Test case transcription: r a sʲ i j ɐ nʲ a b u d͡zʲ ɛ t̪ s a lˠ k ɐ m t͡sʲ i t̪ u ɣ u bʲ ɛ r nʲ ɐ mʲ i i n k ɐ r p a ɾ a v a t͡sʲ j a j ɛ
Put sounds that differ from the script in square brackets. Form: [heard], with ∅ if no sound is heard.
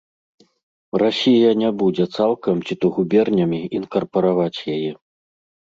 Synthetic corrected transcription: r a sʲ i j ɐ nʲ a b u d͡zʲ ɛ t̪ s a lˠ k ɐ m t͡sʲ i t̪ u ɣ u bʲ ɛ r nʲ ɐ mʲ i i n k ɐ r p [ɐ] ɾ a v a t͡sʲ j a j ɛ